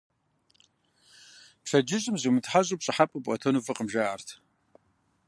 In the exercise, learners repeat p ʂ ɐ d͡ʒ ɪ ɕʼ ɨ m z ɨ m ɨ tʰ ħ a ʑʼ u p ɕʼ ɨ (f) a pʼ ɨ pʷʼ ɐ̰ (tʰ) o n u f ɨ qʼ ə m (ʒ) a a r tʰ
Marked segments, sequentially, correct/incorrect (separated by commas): incorrect, correct, correct